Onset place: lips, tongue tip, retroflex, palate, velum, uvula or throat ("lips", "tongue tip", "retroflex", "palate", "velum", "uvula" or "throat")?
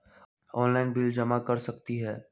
tongue tip